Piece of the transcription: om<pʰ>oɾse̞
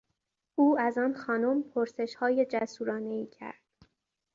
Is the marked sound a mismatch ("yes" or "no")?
no